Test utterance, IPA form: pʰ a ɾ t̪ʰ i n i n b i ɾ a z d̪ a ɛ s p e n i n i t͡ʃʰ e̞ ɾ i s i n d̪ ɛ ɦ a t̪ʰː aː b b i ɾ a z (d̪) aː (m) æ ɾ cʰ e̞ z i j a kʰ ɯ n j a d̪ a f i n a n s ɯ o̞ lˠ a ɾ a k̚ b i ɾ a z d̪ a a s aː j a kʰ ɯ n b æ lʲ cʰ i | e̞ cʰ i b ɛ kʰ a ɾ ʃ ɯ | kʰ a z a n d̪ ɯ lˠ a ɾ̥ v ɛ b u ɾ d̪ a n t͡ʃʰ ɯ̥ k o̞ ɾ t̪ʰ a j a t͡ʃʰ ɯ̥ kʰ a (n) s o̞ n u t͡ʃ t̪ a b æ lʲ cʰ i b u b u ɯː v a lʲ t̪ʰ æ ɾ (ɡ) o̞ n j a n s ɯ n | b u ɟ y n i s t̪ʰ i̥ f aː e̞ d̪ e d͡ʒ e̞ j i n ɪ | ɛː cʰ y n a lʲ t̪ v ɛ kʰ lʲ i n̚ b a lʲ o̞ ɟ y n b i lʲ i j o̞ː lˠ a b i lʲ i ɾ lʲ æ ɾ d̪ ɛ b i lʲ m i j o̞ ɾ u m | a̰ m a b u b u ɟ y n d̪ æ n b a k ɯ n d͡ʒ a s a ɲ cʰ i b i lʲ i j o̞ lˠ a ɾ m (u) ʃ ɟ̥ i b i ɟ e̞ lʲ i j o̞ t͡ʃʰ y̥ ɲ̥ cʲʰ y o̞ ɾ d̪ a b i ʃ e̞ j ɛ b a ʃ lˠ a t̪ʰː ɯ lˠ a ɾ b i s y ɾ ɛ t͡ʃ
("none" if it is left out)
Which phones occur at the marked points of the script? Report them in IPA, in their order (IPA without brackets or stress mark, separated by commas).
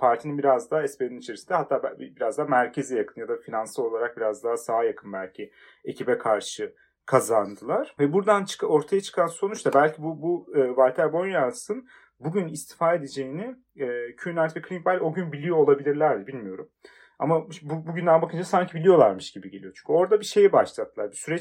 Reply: d̪, m, n, b, ɯ